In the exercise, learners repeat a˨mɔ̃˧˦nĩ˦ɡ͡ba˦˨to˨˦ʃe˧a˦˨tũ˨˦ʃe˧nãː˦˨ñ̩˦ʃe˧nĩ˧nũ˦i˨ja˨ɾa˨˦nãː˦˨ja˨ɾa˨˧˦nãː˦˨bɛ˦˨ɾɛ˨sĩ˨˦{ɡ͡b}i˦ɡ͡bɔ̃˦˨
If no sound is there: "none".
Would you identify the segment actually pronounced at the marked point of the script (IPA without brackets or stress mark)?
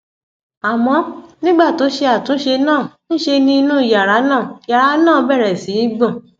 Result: none